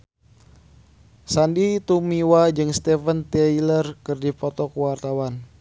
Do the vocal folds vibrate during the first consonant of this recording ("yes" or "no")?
no